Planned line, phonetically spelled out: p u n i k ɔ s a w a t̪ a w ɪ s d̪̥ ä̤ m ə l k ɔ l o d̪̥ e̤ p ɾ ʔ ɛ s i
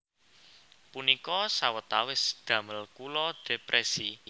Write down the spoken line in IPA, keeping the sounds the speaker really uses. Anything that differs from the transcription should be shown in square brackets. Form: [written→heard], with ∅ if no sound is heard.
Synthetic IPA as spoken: p u n i k ɔ s a w [a→ə] t̪ a w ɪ s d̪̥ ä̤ m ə l k [ɔ→u] l [o→ɔ] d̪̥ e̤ p ɾ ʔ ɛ s i